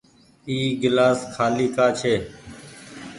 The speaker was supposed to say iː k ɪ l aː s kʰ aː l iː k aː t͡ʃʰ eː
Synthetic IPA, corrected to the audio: iː ɡ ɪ l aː s kʰ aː l iː k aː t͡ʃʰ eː